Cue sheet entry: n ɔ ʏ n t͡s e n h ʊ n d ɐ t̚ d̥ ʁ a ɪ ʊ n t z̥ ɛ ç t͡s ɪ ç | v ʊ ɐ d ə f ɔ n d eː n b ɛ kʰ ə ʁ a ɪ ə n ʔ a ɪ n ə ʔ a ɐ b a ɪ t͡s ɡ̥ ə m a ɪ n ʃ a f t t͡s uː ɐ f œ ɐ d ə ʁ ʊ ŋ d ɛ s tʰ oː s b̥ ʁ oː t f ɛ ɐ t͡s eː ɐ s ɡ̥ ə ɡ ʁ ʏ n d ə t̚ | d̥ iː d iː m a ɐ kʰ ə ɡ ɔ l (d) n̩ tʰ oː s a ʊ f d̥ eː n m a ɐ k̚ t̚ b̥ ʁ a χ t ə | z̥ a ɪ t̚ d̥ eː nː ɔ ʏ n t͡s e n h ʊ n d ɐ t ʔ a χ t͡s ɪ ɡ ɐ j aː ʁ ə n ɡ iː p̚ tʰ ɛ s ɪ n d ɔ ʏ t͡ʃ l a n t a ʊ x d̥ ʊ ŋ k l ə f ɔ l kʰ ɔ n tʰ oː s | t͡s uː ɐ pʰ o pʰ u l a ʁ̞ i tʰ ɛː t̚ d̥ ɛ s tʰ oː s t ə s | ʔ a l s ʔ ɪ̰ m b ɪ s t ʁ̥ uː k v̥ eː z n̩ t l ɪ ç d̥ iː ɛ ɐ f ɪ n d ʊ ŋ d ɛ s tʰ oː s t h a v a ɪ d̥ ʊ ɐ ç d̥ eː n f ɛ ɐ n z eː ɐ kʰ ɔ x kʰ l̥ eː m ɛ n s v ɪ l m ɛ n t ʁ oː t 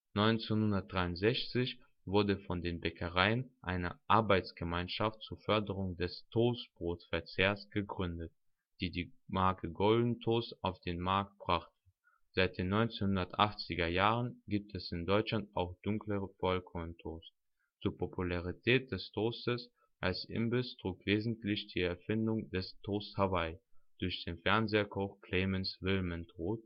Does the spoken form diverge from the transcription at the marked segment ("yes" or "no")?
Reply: no